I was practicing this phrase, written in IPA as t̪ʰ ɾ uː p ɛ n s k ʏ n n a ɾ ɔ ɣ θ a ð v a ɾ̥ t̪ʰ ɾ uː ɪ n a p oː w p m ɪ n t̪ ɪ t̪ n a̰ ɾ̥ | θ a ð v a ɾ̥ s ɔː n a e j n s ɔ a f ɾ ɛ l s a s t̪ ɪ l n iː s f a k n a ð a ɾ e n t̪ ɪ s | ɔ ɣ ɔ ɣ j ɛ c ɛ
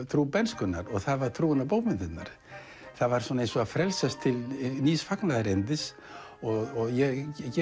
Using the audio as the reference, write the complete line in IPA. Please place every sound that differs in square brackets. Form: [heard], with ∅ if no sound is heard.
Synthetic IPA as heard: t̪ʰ ɾ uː p ɛ n s k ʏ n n a ɾ ɔ ɣ θ a ð v a ɾ̥ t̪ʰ ɾ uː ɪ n a p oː w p m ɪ n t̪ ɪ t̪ n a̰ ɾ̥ | θ a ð v a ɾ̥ s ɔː n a e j n s ɔ a f ɾ ɛ l s a s [t̪ʰ] ɪ l n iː s f a k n a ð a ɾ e n t̪ ɪ s | ɔ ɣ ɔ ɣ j ɛ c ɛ